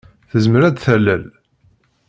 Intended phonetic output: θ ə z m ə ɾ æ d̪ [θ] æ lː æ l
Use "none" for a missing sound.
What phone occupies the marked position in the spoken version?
θ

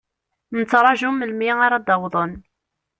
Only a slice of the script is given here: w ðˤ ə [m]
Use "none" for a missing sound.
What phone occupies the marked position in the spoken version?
n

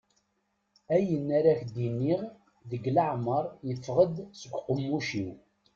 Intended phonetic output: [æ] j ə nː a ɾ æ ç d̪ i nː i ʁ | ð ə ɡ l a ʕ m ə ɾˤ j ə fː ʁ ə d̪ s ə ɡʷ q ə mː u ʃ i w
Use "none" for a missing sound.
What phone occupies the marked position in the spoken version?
æ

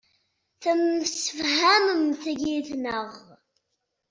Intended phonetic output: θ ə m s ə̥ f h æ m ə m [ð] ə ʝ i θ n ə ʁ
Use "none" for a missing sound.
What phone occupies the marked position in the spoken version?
θ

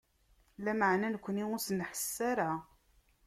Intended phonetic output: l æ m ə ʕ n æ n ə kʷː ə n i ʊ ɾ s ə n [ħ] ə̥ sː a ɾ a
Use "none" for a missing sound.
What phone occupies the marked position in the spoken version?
ħ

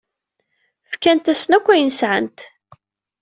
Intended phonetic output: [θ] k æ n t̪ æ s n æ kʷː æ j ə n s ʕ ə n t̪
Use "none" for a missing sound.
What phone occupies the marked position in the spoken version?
f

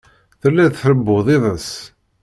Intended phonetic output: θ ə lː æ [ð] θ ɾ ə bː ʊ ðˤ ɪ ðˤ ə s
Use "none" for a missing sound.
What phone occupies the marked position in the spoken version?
ð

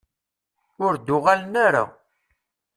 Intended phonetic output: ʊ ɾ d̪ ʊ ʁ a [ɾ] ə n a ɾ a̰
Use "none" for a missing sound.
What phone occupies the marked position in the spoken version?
l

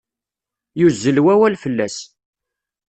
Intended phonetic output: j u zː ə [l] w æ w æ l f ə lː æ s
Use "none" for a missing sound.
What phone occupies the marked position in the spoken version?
l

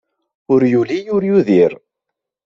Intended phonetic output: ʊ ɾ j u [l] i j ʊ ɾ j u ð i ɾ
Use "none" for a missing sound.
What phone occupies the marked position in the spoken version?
l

